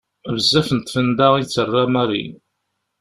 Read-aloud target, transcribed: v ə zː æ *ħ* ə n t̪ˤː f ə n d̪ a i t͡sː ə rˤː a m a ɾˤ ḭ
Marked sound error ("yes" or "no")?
yes